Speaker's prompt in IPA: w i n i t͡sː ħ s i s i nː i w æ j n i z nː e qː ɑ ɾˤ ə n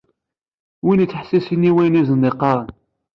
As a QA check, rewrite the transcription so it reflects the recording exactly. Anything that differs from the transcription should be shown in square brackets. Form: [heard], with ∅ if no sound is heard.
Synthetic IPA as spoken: w i n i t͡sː ħ s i s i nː i w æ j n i z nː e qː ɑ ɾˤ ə n